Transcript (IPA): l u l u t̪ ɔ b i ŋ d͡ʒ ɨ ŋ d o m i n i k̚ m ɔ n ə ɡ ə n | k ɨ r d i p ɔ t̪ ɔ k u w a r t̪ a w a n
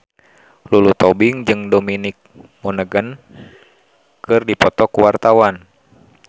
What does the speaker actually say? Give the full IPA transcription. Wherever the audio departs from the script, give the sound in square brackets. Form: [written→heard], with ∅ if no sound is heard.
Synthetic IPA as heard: l u l u t̪ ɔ b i ŋ d͡ʒ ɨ ŋ d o m i n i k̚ m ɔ n ə ɡ ə n | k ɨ r d i p ɔ t̪ ɔ k u w a r t̪ a w a n